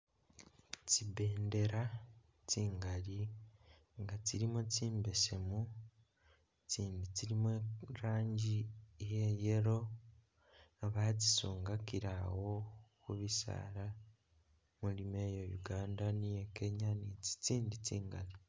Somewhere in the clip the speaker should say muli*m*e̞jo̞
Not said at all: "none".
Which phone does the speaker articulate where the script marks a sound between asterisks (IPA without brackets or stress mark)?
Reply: m